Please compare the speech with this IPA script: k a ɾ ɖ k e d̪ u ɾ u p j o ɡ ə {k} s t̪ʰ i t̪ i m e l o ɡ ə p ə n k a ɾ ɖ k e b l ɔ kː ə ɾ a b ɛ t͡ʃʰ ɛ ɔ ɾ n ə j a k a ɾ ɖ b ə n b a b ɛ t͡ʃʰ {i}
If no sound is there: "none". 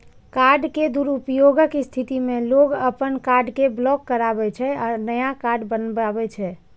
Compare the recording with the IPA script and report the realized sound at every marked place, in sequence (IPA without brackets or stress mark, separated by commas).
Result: k, ɛ